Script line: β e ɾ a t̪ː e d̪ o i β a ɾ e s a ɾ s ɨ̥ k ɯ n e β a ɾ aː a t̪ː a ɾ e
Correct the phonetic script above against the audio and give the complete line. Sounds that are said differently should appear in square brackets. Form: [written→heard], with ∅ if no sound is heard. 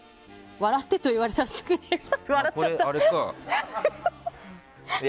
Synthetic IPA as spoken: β [e→a] ɾ a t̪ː e [d̪→t̪] o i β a ɾ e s a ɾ s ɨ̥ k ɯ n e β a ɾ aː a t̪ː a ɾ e